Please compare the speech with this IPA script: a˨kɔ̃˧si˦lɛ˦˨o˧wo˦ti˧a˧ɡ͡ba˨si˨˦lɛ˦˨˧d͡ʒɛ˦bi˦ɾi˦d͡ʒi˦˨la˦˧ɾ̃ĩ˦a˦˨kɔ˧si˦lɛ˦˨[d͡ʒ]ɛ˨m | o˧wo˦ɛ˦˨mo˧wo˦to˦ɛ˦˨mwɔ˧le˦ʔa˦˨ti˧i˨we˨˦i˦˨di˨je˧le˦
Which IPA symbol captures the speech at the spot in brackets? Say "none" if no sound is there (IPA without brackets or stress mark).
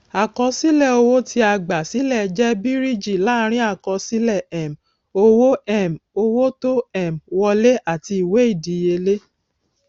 none